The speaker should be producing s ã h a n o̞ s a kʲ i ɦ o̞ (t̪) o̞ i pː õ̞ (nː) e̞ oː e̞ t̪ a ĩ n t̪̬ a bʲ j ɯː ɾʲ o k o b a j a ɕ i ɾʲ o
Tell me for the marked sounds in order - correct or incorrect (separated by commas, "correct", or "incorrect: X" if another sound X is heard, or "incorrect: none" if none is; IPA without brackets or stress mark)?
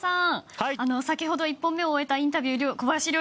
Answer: incorrect: d̪, incorrect: mː